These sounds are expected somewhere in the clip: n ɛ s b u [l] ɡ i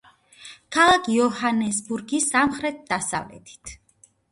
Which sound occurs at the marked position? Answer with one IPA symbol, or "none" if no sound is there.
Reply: ɾ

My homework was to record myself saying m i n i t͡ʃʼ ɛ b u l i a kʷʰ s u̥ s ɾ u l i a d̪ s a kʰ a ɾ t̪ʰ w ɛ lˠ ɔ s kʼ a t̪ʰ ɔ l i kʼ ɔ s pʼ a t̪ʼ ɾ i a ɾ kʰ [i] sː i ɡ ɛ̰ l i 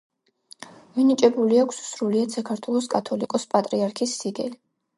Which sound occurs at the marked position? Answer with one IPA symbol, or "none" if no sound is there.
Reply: i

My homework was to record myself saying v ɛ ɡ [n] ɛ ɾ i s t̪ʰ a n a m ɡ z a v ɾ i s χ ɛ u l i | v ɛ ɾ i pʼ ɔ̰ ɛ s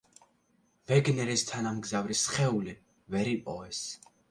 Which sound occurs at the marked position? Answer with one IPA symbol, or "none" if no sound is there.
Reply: n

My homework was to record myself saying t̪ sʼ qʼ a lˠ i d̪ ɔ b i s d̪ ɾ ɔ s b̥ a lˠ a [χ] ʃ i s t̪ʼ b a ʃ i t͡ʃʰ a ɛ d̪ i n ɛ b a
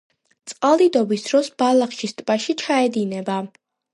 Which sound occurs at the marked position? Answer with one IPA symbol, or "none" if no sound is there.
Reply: χ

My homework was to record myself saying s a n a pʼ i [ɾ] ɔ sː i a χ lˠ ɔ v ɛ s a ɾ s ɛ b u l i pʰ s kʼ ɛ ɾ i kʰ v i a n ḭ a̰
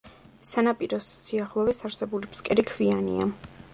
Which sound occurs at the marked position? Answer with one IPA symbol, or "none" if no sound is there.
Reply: ɾ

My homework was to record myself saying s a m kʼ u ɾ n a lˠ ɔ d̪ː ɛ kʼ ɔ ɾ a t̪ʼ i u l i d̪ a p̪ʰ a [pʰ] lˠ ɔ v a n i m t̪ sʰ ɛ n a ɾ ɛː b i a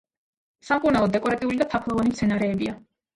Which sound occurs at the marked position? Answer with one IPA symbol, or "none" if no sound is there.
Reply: kʰ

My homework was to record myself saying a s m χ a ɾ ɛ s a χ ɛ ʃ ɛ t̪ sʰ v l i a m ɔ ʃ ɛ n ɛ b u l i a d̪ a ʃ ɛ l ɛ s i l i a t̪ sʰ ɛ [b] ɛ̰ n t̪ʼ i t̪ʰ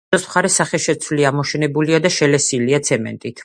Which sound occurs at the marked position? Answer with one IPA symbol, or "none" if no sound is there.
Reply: m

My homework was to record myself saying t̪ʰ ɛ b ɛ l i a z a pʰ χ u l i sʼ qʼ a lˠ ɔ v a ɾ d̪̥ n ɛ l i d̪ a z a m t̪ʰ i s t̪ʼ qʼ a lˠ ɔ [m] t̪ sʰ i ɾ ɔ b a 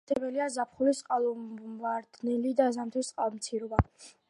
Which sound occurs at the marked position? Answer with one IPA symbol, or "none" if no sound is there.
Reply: m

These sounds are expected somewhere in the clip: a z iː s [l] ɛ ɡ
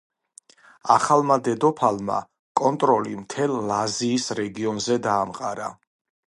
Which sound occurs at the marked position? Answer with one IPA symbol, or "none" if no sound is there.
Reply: ɾ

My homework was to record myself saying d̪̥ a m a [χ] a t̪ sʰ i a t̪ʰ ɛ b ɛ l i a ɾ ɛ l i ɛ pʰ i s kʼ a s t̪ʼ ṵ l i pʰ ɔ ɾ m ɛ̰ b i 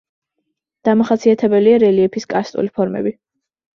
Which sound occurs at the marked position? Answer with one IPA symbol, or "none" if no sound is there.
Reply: χ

